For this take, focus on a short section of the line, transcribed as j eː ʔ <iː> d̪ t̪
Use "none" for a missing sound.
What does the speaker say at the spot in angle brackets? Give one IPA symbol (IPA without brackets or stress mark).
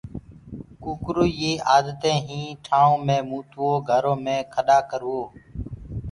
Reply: aː